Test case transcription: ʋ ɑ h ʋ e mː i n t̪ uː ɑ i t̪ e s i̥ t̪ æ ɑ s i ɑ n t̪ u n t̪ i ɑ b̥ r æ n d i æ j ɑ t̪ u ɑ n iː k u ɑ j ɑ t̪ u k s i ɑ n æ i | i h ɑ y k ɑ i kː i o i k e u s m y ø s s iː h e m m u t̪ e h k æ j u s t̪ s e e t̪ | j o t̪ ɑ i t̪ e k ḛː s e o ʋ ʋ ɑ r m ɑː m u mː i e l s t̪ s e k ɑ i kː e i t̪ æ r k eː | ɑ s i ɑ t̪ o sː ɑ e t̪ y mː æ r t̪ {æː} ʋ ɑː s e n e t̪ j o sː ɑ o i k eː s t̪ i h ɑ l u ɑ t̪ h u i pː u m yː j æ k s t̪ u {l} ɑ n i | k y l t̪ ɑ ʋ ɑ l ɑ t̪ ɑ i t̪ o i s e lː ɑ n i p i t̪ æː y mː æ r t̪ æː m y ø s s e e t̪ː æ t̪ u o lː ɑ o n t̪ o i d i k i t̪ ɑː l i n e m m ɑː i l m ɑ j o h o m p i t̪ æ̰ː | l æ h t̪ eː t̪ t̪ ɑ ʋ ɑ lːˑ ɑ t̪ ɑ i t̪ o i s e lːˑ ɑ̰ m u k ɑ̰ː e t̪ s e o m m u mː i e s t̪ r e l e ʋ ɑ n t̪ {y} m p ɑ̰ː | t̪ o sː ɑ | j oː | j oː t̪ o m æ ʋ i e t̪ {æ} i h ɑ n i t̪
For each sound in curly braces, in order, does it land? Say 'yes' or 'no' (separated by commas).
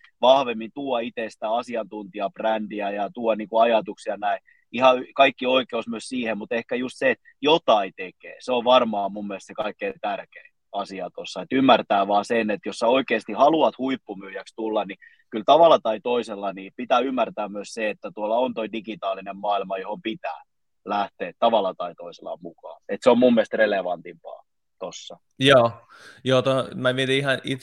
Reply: yes, no, no, no